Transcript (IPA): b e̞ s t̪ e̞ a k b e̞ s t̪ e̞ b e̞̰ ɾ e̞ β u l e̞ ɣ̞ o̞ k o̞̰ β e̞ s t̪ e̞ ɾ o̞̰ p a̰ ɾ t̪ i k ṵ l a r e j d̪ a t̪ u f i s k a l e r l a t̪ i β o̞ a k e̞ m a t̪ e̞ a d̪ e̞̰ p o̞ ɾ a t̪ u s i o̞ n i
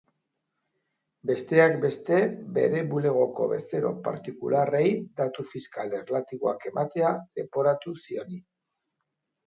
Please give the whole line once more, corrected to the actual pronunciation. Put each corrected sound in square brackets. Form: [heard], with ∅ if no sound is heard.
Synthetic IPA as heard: b e̞ s t̪ e̞ a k b e̞ s t̪ e̞ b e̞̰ ɾ e̞ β u l e̞ ɣ̞ o̞ k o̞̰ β e̞ s t̪ e̞ ɾ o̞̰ p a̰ ɾ t̪ i k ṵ l a r e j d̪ a t̪ u f i s k a l e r l a t̪ i β o̞ a k e̞ m a t̪ e̞ a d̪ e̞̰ p o̞ ɾ a t̪ u s i o̞ n i